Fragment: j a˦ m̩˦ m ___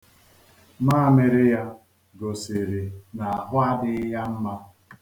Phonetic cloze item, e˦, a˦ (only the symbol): a˦